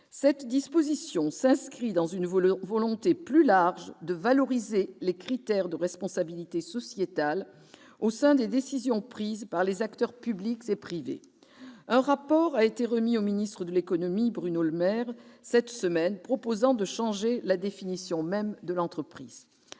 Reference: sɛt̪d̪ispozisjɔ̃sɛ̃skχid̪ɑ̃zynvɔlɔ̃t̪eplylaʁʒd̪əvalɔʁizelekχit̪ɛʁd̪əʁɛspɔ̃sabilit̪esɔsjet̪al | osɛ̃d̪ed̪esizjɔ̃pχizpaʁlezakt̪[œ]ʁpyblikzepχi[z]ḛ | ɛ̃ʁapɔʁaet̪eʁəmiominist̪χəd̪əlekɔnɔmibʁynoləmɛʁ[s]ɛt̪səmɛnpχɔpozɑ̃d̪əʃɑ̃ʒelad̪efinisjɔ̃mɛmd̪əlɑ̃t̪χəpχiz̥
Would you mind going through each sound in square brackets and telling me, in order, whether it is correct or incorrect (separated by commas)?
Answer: correct, incorrect, correct